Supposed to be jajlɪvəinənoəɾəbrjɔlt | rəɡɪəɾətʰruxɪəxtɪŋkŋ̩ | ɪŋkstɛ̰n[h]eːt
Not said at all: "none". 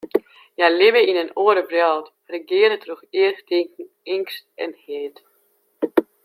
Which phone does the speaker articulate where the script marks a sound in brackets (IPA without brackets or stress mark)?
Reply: h